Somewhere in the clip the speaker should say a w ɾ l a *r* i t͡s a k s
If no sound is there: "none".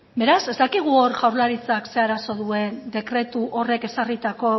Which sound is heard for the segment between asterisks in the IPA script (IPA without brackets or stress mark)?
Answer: ɾ